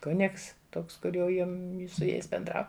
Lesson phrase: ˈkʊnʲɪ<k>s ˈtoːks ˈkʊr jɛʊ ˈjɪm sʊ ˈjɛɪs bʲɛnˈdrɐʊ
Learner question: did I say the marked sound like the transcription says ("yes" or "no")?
yes